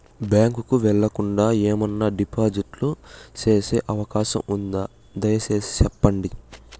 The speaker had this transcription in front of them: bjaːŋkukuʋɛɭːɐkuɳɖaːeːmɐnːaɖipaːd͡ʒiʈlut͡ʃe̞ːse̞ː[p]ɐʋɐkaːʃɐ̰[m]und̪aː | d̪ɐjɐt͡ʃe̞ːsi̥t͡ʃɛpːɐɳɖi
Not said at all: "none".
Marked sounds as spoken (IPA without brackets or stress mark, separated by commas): ʔ, m